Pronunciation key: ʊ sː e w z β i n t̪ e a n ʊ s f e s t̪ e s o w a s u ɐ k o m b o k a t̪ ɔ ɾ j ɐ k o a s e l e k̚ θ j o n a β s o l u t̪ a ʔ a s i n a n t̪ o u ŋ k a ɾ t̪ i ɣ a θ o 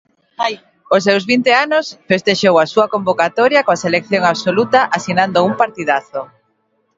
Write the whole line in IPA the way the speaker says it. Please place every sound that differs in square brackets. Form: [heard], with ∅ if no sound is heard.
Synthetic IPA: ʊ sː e w z β i n t̪ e a n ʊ s f e s t̪ e [ʃ] o w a s u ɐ k o m b o k a t̪ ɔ ɾ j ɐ k o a s e l e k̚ θ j o [ŋ] a β s o l u t̪ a ʔ a s i n a n [d̪] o u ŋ [p] a ɾ t̪ i [ð] a θ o

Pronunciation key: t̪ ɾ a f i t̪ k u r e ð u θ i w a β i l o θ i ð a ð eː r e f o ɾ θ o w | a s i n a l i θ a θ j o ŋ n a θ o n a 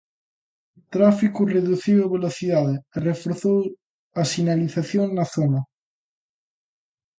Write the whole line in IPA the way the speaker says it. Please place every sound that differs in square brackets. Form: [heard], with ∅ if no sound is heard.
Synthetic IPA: t̪ ɾ a f i [∅] k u r e ð u θ i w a β [e] l o θ i ð a ð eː r e f o ɾ θ o w | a s i n a l i θ a θ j o ŋ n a θ o n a

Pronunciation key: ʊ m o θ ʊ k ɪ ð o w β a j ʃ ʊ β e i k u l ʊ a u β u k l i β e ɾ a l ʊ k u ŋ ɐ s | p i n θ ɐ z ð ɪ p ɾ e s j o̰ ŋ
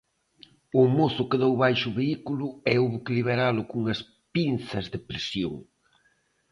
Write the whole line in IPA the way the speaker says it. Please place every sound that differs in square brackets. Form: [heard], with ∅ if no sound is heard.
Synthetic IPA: ʊ m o θ ʊ k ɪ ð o w β a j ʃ ʊ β e i k u l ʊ [ɛ] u β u k l i β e ɾ a l ʊ k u ŋ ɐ s | p i n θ ɐ z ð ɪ p ɾ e s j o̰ ŋ

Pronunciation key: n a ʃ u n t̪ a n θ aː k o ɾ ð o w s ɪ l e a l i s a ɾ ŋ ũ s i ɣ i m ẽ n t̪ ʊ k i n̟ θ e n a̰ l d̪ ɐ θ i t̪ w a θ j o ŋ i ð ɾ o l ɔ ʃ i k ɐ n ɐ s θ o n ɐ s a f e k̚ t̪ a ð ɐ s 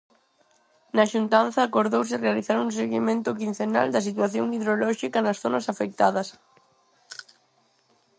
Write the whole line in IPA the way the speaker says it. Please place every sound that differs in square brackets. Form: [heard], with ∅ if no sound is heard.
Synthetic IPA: n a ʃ u n t̪ a n θ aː k o ɾ ð o w s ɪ [r] e a l i [θ] a ɾ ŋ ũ s [e] ɣ i m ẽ n t̪ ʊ k i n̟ θ e n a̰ l d̪ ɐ [s] i t̪ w a θ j o ŋ i ð ɾ o l ɔ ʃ i k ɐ n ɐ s θ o n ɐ s a f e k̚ t̪ a ð ɐ s

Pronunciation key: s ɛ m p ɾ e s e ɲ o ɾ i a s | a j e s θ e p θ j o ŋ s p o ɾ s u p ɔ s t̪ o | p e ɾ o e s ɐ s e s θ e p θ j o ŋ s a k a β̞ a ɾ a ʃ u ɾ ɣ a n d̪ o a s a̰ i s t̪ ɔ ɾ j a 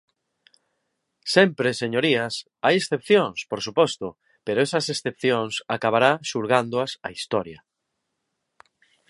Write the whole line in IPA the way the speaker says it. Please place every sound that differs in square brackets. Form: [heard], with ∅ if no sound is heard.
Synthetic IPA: s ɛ m p ɾ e s e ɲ o ɾ i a s | a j e s θ e p θ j o ŋ s p o ɾ s u p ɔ s t̪ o | p e ɾ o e s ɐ s e s θ e p θ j o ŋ s a k a β̞ a ɾ a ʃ u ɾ ɣ a n d̪ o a s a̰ i s t̪ ɔ ɾ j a

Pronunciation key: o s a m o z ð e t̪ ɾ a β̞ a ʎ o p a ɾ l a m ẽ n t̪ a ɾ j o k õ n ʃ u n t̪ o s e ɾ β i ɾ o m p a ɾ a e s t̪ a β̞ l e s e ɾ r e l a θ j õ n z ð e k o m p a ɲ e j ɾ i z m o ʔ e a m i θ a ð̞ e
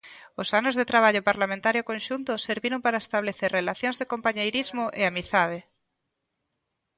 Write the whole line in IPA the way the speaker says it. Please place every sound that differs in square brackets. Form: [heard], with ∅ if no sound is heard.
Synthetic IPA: o s a [n] o z ð e t̪ ɾ a β̞ a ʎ o p a ɾ l a m ẽ n t̪ a ɾ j o k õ n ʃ u n t̪ o s e ɾ β i ɾ o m p a ɾ a e s t̪ a β̞ l e [θ] e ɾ r e l a θ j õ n z ð e k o m p a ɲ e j ɾ i z m o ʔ e a m i θ a ð̞ e

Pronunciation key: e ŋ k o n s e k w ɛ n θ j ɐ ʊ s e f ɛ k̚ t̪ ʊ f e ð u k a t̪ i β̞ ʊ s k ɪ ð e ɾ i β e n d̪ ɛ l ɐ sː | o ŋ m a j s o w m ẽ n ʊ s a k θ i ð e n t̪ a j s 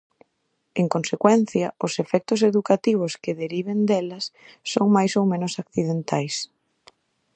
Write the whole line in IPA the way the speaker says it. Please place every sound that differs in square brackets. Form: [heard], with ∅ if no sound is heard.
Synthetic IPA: e ŋ k o n s e k w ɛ n θ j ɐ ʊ s e f ɛ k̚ t̪ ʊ [s] e ð u k a t̪ i β̞ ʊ s k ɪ ð e ɾ i β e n d̪ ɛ l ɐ sː | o ŋ m a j s o w m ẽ n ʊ s a k θ i ð e n t̪ a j s

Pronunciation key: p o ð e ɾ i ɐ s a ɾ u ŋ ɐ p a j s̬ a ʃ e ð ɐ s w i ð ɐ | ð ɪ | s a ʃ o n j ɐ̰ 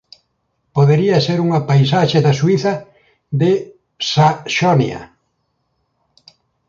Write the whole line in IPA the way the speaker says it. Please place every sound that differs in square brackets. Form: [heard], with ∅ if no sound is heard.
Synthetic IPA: p o ð e ɾ i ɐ s [e] ɾ u ŋ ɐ p a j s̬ a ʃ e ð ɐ s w i [θ] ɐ | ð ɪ | s a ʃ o n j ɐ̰

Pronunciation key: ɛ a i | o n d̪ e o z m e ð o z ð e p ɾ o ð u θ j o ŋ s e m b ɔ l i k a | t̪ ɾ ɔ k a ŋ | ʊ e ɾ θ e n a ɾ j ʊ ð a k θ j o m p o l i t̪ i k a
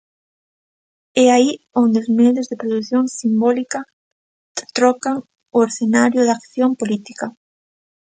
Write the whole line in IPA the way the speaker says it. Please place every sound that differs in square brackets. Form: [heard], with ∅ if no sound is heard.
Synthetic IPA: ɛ a i | o n d̪ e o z m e ð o z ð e p ɾ o ð u θ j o ŋ s [i] m b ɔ l i k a | t̪ ɾ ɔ k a ŋ | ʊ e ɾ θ e n a ɾ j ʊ ð a k θ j o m p o l i t̪ i k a

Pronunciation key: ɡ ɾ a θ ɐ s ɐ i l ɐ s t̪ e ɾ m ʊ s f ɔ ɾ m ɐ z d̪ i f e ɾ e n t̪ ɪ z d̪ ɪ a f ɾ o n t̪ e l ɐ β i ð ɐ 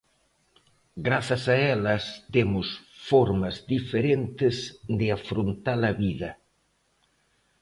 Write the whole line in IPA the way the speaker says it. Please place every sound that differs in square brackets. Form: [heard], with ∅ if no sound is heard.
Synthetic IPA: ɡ ɾ a θ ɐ s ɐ [ɛ] l ɐ s t̪ e [∅] m ʊ s f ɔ ɾ m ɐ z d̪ i f e ɾ e n t̪ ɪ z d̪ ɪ a f ɾ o n t̪ [a] l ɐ β i ð ɐ

